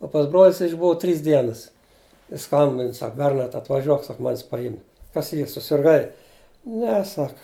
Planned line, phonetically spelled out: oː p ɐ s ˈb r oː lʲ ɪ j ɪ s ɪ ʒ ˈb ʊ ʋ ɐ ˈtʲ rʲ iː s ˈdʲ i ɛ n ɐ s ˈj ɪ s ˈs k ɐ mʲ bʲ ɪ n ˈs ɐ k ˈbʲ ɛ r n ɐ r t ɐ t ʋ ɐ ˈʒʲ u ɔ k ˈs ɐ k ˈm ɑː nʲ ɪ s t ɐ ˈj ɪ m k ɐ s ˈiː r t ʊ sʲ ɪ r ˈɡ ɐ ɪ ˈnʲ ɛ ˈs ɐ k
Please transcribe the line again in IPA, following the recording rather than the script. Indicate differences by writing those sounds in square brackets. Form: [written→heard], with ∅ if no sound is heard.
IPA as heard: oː p ɐ s ˈb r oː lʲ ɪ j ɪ s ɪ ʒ ˈb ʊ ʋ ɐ ˈtʲ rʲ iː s ˈdʲ i ɛ n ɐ s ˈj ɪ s ˈs k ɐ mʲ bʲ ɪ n ˈs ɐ k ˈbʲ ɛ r n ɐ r t ɐ t ʋ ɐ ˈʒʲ u ɔ k ˈs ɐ k ˈm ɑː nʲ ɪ s [t→p] ɐ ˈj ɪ m k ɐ s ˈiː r [t→s] ʊ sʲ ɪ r ˈɡ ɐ ɪ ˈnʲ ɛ ˈs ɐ k

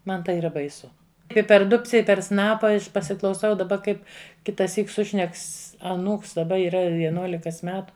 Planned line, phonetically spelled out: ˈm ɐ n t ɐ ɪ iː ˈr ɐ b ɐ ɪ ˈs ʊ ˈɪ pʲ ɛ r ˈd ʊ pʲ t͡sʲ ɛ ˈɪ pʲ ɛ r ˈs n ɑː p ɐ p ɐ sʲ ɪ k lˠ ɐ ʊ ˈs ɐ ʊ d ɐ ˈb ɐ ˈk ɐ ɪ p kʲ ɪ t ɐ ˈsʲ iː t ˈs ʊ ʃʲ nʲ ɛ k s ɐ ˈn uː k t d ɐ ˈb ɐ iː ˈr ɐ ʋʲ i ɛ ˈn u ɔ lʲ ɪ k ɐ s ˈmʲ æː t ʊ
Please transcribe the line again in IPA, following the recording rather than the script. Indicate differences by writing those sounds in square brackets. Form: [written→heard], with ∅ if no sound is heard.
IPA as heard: ˈm ɐ n t ɐ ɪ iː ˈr ɐ b ɐ ɪ ˈs ʊ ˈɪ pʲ ɛ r ˈd ʊ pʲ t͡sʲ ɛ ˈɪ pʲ ɛ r ˈs n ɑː p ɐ p ɐ sʲ ɪ k lˠ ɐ ʊ ˈs ɐ ʊ d ɐ ˈb ɐ ˈk ɐ ɪ p kʲ ɪ t ɐ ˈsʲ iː [t→k] ˈs ʊ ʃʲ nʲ ɛ k s ɐ ˈn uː k [t→s] d ɐ ˈb ɐ iː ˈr ɐ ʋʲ i ɛ ˈn u ɔ lʲ ɪ k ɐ s ˈmʲ æː t ʊ

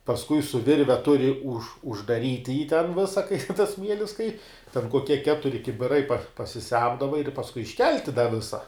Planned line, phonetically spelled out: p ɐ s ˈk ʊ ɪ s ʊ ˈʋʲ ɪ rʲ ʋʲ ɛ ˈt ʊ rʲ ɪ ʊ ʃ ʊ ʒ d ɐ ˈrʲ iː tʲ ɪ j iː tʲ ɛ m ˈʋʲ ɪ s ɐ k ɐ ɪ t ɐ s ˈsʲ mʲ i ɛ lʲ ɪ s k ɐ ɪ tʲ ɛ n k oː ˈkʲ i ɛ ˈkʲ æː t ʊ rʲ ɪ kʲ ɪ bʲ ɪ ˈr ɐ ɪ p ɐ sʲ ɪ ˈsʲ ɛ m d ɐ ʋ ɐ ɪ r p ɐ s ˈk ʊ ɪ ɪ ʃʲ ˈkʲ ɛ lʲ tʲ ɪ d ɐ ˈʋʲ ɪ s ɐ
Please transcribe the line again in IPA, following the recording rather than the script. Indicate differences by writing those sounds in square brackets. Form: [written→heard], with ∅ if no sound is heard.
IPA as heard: p ɐ s ˈk ʊ ɪ s ʊ ˈʋʲ ɪ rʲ ʋʲ ɛ ˈt ʊ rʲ ɪ ʊ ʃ ʊ ʒ d ɐ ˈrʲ iː tʲ ɪ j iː tʲ ɛ [m→n] ˈʋʲ ɪ s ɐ k ɐ ɪ t ɐ s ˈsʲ mʲ i ɛ lʲ ɪ s k ɐ ɪ tʲ ɛ n k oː ˈkʲ i ɛ ˈkʲ æː t ʊ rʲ ɪ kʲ ɪ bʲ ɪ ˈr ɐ ɪ p ɐ sʲ ɪ ˈsʲ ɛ m d ɐ ʋ ɐ ɪ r p ɐ s ˈk ʊ ɪ ɪ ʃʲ ˈkʲ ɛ lʲ tʲ ɪ d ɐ ˈʋʲ ɪ s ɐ

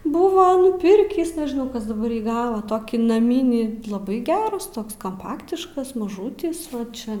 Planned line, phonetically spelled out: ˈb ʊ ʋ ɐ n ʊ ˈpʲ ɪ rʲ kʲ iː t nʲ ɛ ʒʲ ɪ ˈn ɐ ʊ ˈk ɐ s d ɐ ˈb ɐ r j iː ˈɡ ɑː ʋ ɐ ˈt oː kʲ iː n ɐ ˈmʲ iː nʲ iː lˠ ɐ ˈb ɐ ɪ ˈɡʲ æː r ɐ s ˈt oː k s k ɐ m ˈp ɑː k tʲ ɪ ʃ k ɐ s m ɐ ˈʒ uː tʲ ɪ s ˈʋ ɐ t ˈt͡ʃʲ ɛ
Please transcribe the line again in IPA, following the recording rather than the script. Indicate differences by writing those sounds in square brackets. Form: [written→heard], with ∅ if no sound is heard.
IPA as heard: ˈb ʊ ʋ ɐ n ʊ ˈpʲ ɪ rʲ kʲ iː [t→s] nʲ ɛ ʒʲ ɪ ˈn ɐ ʊ ˈk ɐ s d ɐ ˈb ɐ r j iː ˈɡ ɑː ʋ ɐ ˈt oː kʲ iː n ɐ ˈmʲ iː nʲ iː lˠ ɐ ˈb ɐ ɪ ˈɡʲ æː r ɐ s ˈt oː k s k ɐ m ˈp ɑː k tʲ ɪ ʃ k ɐ s m ɐ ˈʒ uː tʲ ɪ s ˈʋ ɐ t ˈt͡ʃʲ ɛ

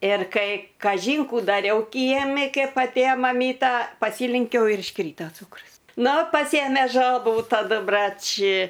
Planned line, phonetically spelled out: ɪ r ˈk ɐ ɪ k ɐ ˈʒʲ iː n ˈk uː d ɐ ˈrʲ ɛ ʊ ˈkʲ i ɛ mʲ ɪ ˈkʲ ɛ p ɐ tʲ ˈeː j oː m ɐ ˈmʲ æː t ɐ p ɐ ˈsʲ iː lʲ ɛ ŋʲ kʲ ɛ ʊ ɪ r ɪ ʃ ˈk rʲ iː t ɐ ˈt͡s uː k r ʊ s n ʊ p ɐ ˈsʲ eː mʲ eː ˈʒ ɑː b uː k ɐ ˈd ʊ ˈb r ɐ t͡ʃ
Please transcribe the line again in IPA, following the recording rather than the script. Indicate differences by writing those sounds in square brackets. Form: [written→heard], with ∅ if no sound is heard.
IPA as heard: ɪ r ˈk ɐ ɪ k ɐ ˈʒʲ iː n ˈk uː d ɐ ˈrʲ ɛ ʊ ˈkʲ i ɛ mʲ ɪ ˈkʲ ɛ p ɐ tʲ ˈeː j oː m ɐ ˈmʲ [æː→iː] t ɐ p ɐ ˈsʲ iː lʲ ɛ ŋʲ kʲ ɛ ʊ ɪ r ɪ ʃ ˈk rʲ iː t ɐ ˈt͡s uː k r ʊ s n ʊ p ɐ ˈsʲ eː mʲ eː ˈʒ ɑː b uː [k→t] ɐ ˈd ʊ ˈb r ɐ t͡ʃ

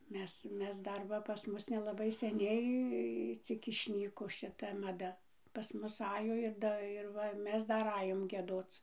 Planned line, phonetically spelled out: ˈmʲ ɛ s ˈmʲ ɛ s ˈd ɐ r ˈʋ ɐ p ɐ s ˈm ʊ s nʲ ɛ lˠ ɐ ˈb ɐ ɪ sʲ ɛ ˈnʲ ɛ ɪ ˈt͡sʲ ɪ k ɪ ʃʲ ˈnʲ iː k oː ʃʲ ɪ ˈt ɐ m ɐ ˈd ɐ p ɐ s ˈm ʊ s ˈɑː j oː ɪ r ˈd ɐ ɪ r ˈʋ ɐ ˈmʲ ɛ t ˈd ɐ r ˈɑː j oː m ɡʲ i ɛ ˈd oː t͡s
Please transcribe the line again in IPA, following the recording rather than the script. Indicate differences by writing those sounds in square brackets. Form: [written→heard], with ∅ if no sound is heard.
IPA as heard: ˈmʲ ɛ s ˈmʲ ɛ s ˈd ɐ r ˈʋ ɐ p ɐ s ˈm ʊ s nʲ ɛ lˠ ɐ ˈb ɐ ɪ sʲ ɛ ˈnʲ ɛ ɪ ˈt͡sʲ ɪ k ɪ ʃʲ ˈnʲ iː k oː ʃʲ ɪ ˈt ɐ m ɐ ˈd ɐ p ɐ s ˈm ʊ s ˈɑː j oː ɪ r ˈd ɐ ɪ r ˈʋ ɐ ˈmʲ ɛ [t→s] ˈd ɐ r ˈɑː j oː m ɡʲ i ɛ ˈd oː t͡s

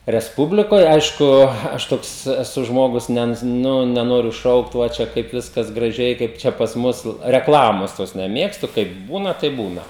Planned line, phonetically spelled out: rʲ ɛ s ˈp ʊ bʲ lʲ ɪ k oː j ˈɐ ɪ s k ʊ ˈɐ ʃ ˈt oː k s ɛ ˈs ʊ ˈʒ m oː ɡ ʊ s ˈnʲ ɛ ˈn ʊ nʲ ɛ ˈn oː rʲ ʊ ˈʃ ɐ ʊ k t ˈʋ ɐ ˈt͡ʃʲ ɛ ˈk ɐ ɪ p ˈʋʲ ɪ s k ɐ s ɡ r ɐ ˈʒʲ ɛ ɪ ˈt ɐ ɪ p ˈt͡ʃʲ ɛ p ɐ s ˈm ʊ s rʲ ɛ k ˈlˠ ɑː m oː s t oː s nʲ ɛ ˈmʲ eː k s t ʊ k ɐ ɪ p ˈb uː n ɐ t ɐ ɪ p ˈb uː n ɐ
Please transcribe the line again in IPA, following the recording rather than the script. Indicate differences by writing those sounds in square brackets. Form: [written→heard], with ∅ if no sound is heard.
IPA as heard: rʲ ɛ s ˈp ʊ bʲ lʲ ɪ k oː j ˈɐ ɪ [s→ʃ] k ʊ ˈɐ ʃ ˈt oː k s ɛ ˈs ʊ ˈʒ m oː ɡ ʊ s ˈnʲ ɛ ˈn ʊ nʲ ɛ ˈn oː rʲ ʊ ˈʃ ɐ ʊ k t ˈʋ ɐ ˈt͡ʃʲ ɛ ˈk ɐ ɪ p ˈʋʲ ɪ s k ɐ s ɡ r ɐ ˈʒʲ ɛ ɪ [ˈt→ˈk] ɐ ɪ p ˈt͡ʃʲ ɛ p ɐ s ˈm ʊ s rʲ ɛ k ˈlˠ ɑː m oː s t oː s nʲ ɛ ˈmʲ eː k s t ʊ k ɐ ɪ p ˈb uː n ɐ t ɐ ɪ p ˈb uː n ɐ

